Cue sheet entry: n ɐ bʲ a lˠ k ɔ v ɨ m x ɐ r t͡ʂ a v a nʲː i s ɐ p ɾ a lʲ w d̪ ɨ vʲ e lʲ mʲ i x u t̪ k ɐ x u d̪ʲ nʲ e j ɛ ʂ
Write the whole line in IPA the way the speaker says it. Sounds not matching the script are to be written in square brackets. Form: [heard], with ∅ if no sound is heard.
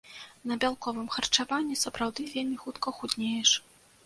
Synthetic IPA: n ɐ bʲ a lˠ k ɔ v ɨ m x ɐ r t͡ʂ a v a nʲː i s ɐ p ɾ a [∅] w d̪ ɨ vʲ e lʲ mʲ i x u t̪ k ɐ x u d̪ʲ nʲ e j ɛ ʂ